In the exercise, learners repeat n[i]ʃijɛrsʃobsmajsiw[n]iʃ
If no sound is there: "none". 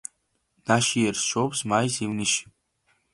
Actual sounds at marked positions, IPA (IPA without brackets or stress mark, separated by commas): a, n